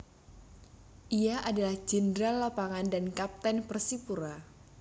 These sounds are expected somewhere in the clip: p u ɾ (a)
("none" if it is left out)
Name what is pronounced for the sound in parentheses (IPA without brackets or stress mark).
a